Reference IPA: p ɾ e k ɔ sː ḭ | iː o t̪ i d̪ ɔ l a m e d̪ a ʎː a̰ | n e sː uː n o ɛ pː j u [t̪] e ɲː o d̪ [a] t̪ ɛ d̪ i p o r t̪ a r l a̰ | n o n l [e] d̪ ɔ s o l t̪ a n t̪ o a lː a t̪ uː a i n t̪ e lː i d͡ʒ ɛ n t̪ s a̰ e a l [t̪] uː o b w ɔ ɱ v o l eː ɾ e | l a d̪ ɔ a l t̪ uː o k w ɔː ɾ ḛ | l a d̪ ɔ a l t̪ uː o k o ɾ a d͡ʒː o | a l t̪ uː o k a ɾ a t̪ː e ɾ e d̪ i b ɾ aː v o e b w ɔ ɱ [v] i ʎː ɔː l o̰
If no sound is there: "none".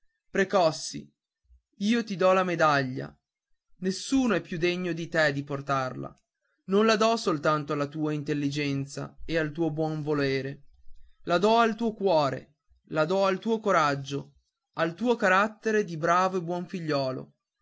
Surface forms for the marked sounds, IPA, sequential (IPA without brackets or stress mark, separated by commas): d̪, i, a, t̪, f